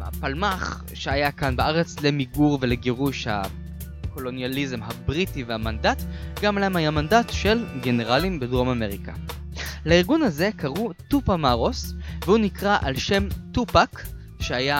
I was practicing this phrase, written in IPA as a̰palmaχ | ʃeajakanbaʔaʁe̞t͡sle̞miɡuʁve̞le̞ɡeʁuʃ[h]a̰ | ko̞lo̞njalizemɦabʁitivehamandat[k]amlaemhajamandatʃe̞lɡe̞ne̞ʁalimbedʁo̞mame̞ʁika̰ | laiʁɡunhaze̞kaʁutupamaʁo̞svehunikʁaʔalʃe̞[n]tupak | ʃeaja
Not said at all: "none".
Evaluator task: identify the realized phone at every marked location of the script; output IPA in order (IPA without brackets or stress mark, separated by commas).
h, ɡ, m